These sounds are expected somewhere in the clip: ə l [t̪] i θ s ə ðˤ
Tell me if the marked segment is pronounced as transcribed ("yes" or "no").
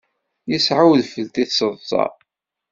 yes